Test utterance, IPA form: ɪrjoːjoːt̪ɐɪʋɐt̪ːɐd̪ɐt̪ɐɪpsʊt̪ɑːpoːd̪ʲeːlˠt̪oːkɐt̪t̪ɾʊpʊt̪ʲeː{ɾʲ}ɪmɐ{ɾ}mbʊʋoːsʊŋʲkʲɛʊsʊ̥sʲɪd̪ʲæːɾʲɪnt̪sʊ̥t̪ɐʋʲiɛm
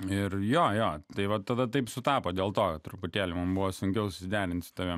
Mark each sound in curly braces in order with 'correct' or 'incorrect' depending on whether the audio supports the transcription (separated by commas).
incorrect, incorrect